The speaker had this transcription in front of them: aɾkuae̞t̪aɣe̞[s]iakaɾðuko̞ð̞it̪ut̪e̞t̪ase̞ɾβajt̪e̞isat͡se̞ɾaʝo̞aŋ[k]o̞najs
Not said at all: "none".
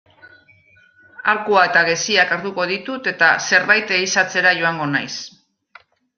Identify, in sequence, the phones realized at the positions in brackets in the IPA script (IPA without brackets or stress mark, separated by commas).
s, ɡ